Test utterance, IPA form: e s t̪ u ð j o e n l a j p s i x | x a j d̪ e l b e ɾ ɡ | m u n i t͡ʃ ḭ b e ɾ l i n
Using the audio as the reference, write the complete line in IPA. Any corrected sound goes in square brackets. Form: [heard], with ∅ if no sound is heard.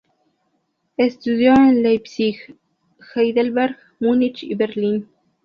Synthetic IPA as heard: e s t̪ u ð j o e n l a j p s i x | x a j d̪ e l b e ɾ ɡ | m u n i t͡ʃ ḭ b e ɾ l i n